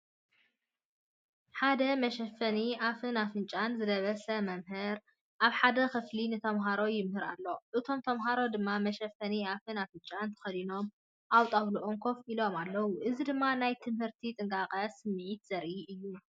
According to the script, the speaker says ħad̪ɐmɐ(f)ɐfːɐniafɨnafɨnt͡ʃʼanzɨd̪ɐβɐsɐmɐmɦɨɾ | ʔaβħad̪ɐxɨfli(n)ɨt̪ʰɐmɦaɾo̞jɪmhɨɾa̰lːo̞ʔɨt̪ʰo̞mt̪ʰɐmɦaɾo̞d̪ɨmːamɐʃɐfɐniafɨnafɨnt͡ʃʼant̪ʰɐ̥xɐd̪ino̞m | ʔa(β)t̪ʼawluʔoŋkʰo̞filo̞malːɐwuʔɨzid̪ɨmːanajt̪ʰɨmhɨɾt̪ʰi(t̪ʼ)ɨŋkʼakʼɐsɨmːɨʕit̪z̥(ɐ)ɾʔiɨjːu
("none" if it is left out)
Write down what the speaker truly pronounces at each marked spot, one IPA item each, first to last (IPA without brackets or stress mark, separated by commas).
ʃ, n, w, t̪ʼ, ɐ